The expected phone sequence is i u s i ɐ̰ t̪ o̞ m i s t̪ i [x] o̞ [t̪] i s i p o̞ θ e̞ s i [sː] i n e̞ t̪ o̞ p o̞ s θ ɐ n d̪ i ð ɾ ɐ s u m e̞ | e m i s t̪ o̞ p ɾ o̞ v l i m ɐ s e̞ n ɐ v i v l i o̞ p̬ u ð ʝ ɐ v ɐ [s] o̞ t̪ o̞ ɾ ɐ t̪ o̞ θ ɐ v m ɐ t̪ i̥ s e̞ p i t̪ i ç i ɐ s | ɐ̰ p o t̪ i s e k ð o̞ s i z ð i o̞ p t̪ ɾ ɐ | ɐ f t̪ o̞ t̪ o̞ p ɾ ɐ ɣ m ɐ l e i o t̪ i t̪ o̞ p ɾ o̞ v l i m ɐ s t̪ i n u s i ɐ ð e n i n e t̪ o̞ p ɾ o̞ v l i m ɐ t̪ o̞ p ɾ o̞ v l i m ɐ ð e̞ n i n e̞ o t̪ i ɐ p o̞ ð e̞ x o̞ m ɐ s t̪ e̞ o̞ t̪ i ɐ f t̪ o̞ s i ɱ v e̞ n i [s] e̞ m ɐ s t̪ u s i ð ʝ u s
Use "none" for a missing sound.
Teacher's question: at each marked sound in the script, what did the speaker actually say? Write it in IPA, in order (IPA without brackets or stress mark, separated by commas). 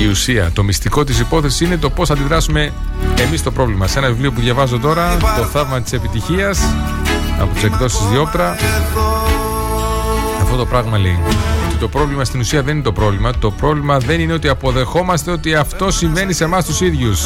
k, t̪, s, z, s